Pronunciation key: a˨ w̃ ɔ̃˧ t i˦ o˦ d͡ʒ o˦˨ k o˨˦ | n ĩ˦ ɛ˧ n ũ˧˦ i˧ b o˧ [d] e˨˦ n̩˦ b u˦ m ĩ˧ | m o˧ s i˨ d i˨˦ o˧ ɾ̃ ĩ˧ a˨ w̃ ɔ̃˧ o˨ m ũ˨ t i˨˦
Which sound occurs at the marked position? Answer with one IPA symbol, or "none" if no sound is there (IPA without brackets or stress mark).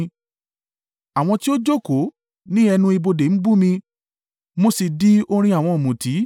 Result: d